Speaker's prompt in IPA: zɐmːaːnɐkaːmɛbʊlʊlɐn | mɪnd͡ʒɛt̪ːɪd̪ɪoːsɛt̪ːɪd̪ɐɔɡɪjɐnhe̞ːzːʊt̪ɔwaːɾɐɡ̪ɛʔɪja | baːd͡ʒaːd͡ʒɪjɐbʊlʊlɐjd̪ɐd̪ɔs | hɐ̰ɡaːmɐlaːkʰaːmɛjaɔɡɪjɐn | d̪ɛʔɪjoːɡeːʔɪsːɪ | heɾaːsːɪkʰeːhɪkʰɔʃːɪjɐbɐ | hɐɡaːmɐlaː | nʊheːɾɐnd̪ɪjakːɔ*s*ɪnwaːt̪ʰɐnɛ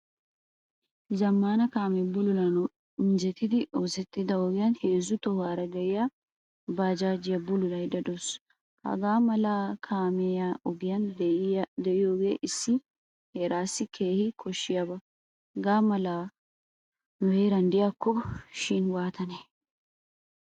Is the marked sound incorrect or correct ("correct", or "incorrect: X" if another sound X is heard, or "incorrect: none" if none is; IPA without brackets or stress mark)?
incorrect: ʃ